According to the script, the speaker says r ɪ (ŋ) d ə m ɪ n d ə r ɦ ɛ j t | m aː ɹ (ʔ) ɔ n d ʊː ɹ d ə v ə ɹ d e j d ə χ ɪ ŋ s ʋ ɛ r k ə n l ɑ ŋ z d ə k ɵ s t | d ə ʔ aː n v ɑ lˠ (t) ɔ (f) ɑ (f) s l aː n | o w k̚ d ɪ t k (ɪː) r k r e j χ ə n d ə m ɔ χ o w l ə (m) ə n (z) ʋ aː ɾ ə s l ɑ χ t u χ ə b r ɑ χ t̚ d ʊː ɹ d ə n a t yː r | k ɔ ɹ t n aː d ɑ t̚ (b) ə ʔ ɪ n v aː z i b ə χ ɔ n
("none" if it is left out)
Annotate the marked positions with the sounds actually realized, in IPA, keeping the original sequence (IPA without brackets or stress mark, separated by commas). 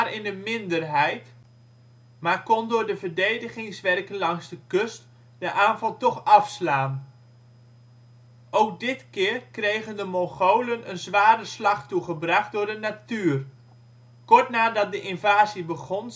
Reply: n, k, t, χ, f, ɪː, n, z, d